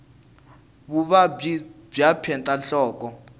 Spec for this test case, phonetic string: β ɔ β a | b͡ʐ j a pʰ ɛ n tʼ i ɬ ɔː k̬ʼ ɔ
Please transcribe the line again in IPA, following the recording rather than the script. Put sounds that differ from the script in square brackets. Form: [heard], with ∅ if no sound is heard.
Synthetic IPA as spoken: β [u] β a | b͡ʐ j a pʰ ɛ n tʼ [a] ɬ ɔː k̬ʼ ɔ